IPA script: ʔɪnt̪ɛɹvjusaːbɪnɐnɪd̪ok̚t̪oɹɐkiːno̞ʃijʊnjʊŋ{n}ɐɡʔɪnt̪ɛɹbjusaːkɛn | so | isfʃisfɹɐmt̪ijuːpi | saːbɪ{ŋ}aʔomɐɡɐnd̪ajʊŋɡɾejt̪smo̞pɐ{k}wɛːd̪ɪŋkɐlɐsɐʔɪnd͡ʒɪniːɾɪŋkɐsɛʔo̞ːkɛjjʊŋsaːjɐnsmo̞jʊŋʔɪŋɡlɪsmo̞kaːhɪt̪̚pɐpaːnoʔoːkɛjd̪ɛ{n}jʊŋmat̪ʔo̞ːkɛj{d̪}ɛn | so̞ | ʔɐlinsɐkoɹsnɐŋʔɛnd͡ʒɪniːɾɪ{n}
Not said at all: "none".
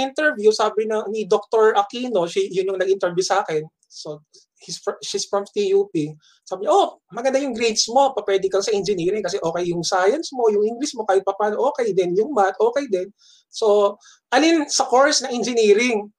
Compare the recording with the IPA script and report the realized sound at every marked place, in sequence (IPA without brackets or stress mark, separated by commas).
n, ɲ, p, n, d̪, ŋ